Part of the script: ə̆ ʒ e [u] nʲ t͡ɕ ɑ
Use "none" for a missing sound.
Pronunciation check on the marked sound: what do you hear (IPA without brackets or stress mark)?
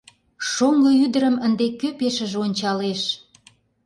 o